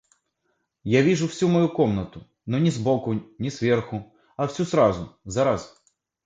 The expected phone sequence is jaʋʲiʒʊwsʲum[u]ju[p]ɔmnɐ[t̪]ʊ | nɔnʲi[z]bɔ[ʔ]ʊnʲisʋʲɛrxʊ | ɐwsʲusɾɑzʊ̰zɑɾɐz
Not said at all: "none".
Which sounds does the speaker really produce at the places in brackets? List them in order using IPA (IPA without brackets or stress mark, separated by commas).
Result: ɔ, k, t̪, z, k